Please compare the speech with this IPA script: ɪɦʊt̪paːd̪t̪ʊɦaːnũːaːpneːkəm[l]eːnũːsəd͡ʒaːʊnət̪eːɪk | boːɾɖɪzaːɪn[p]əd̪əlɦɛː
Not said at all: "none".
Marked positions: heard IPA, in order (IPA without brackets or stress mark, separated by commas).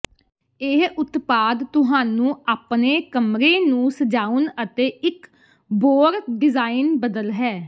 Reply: ɾ, b